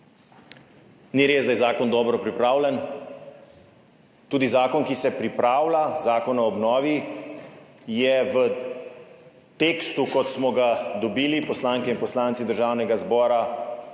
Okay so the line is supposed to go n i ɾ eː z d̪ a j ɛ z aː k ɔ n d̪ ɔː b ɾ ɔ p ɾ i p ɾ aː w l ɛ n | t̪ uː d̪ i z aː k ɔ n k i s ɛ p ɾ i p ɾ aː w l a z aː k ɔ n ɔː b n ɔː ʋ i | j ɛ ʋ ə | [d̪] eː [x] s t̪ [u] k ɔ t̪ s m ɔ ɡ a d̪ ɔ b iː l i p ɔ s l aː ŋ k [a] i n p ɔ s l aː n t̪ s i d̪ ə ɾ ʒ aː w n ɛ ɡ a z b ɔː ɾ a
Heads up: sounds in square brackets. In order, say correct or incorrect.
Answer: incorrect: t̪, incorrect: k, correct, incorrect: ɛ

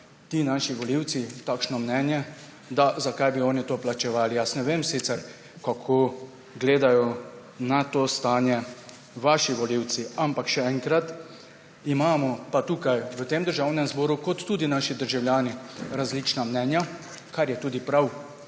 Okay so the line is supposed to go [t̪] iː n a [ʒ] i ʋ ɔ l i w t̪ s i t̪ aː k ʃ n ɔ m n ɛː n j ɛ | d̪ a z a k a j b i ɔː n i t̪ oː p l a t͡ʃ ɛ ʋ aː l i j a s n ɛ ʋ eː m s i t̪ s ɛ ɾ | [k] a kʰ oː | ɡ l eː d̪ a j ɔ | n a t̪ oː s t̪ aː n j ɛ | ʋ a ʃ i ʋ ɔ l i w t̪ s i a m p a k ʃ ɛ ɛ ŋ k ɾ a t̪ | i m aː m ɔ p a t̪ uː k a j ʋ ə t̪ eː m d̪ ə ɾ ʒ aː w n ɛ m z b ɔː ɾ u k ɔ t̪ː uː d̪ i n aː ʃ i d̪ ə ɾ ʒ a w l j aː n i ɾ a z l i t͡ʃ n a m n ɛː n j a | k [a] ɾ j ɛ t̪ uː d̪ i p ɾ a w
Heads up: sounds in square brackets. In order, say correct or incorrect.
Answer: correct, incorrect: ʃ, correct, correct

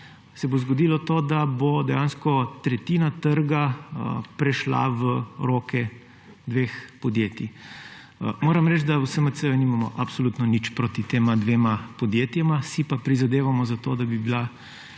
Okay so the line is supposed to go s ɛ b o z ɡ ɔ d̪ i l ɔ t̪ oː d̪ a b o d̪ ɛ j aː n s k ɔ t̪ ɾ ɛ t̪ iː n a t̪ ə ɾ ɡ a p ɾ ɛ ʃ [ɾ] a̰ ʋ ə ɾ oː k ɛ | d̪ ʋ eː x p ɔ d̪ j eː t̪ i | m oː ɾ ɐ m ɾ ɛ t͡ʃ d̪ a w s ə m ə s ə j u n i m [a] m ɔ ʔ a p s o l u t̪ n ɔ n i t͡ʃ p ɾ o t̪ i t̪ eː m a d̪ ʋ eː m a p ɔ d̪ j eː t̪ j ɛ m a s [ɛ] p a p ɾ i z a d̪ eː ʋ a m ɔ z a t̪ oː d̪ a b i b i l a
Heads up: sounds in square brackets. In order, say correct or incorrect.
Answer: incorrect: l, correct, incorrect: i

